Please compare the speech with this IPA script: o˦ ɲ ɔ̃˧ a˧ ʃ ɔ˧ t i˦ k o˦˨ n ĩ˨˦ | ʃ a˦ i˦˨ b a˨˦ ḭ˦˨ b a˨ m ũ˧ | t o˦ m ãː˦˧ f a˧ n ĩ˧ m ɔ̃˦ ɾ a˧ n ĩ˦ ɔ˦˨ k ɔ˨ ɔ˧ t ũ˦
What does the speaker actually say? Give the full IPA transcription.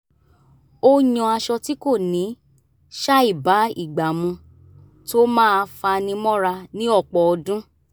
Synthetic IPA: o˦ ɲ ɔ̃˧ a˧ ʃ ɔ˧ t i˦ k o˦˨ n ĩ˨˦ | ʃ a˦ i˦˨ b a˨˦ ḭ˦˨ ɡ͡b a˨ m ũ˧ | t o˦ m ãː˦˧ f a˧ n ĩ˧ m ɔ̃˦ ɾ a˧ n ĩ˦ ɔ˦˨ k͡p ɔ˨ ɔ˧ d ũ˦